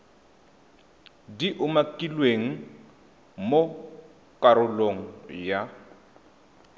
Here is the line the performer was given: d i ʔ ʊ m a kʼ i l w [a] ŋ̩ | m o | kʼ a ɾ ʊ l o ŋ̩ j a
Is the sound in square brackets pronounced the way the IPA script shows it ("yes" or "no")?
no